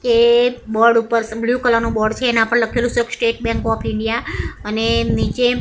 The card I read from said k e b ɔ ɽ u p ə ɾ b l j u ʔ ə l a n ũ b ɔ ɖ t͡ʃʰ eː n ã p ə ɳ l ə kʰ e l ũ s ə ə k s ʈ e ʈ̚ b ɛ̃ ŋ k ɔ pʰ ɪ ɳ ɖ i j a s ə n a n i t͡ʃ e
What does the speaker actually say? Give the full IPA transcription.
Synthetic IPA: k e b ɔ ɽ u p ə ɾ b l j u k ə l a n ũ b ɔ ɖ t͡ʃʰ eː n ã p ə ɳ l ə kʰ e l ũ s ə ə k s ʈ e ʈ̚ b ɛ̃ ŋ k ɔ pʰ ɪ ɳ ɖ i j a ə n e n i t͡ʃ e